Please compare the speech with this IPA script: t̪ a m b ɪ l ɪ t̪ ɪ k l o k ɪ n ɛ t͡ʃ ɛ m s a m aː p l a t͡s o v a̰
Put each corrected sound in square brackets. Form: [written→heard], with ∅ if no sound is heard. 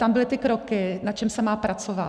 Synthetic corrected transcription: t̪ a m b ɪ l ɪ t̪ ɪ k [l→ɾ] o k ɪ n [ɛ→a] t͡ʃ ɛ m s [a→ɛ] m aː p [l→ɾ] a t͡s o v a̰